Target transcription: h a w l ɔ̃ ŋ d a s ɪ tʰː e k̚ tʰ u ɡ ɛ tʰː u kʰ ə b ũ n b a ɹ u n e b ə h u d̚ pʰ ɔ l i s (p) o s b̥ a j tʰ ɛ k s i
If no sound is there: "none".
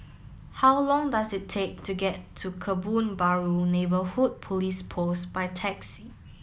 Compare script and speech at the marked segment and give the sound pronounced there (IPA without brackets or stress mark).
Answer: pʰ